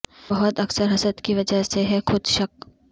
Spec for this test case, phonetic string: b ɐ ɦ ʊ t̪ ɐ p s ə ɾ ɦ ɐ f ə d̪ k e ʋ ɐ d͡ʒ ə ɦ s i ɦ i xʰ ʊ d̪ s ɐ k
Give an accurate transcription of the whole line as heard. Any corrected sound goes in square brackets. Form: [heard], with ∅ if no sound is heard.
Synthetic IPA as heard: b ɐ ɦ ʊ t̪ ɐ [k] s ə ɾ ɦ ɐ [s] ə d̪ k [i] ʋ ɐ d͡ʒ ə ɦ s [e] ɦ [ɛ] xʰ ʊ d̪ [ʃ] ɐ k

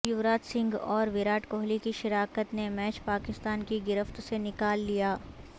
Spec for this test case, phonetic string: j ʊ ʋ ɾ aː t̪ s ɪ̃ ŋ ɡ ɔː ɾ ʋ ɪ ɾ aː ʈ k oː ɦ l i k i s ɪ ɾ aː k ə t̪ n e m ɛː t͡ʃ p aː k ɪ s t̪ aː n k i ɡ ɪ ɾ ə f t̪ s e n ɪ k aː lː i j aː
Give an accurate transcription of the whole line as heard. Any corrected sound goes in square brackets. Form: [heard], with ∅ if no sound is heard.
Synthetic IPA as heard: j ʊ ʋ ɾ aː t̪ s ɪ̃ ŋ ɡ ɔː ɾ ʋ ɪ ɾ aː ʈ k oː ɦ l i k i [ʃ] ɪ ɾ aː k ə t̪ n e m ɛː t͡ʃ p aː k ɪ s t̪ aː n k i ɡ ɪ ɾ ə f t̪ s e n ɪ k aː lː i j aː

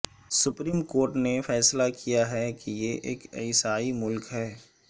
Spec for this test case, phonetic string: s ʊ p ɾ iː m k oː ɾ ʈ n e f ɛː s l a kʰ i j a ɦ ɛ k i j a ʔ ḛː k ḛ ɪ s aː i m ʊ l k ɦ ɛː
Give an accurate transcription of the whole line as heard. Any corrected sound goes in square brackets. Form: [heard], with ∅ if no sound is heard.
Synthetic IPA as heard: s ʊ p ɾ iː m k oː ɾ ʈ n e f ɛː s l a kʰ i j a ɦ ɛ k i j [e] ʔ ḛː k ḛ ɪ s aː i m ʊ l k ɦ ɛː

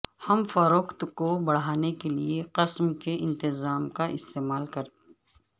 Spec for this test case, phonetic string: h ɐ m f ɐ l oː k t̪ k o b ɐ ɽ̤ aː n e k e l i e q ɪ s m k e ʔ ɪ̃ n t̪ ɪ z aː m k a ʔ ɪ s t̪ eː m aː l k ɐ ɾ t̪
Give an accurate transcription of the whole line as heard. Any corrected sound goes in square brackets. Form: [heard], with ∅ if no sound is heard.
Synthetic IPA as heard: h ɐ m f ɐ [ɾ] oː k t̪ k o b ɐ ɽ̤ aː n e k e l i e q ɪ s m k e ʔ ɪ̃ n t̪ ɪ z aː m k a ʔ ɪ s t̪ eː m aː l k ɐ ɾ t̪

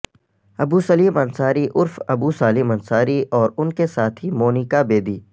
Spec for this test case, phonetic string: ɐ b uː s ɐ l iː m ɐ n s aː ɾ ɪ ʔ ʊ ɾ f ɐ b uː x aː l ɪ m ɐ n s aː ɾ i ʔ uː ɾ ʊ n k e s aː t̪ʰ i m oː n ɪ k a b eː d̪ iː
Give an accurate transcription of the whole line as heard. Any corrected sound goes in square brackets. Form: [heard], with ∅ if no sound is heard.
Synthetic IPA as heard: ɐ b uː s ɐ l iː m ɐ n s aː ɾ [i] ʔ ʊ ɾ f ɐ b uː [s] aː l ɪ m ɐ n s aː ɾ i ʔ [ɔː] ɾ ʊ n k e s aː t̪ʰ i m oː n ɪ k a b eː d̪ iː

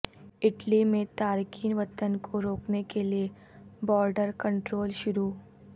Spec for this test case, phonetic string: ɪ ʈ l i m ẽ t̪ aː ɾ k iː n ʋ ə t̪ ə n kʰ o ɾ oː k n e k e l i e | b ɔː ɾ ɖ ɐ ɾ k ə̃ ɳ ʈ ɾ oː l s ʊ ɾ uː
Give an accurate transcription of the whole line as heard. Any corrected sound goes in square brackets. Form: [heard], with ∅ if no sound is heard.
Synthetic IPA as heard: ɪ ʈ l i m ẽ t̪ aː ɾ k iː n ʋ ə t̪ ə n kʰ o ɾ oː k n e k e l i e | b ɔː ɾ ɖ [ə] ɾ k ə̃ ɳ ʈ ɾ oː l [ʃ] ʊ ɾ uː

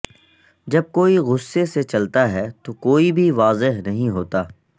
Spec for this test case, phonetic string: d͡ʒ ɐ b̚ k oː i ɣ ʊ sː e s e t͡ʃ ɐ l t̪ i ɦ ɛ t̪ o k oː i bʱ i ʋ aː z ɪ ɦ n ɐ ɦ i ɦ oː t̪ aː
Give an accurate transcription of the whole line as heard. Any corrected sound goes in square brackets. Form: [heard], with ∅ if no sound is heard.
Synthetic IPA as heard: d͡ʒ ɐ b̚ k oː i ɣ ʊ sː e s e t͡ʃ ɐ l t̪ [a] ɦ ɛ t̪ o k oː i bʱ i ʋ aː z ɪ ɦ n ɐ ɦ [ĩ] ɦ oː t̪ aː

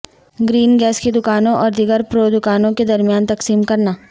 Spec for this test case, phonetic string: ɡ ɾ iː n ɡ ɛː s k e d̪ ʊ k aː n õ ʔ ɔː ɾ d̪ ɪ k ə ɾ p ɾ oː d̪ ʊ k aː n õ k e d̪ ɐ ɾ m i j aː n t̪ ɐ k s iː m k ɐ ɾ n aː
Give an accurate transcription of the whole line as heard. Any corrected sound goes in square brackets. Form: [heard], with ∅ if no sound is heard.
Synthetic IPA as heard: ɡ ɾ iː n ɡ ɛː s k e d̪ ʊ k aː n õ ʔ ɔː ɾ d̪ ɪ [ɡ] ə ɾ p ɾ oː d̪ ʊ k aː n õ k e d̪ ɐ ɾ m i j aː n t̪ ɐ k s iː m k ɐ ɾ n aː

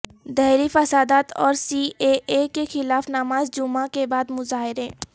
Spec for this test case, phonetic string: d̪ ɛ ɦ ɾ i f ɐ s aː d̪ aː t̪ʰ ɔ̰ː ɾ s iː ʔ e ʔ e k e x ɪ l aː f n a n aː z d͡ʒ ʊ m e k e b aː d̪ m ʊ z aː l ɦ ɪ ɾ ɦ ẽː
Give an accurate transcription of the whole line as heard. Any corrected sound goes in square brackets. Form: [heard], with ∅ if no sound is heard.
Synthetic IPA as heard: d̪ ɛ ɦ ɾ i f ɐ s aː d̪ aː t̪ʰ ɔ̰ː ɾ s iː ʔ e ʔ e k e x ɪ l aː f n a [m] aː z d͡ʒ ʊ m [a] k e b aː d̪ m ʊ z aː [∅] ɦ ɪ ɾ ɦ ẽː

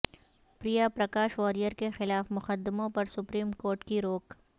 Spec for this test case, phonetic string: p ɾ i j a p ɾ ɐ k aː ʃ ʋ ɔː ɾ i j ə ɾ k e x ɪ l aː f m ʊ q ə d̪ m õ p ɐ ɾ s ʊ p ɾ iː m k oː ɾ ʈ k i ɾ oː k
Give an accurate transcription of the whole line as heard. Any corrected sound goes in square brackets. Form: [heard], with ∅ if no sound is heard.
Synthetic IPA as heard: p ɾ i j a p ɾ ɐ k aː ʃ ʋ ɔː ɾ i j ə ɾ k e x ɪ l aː f m ʊ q ə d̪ m õ p ɐ ɾ s ʊ p ɾ iː m k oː ɾ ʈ k i ɾ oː k

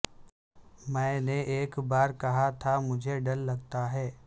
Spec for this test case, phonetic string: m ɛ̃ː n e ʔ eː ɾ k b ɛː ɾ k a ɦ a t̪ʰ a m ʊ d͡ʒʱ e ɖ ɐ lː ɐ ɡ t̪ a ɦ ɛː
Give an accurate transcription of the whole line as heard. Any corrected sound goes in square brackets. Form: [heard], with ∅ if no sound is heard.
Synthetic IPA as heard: m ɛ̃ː n e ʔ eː [∅] k b [aː] ɾ k [ɐ] ɦ a t̪ʰ a m ʊ d͡ʒʱ e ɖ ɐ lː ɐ ɡ t̪ a ɦ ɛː

